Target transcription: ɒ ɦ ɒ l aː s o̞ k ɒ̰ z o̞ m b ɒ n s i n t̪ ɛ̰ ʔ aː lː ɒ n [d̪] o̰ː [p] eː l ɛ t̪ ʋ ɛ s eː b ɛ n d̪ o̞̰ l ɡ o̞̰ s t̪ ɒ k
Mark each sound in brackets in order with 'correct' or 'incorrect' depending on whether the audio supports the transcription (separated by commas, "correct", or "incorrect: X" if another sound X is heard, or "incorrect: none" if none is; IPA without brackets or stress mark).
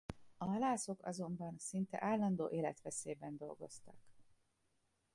correct, incorrect: ʔ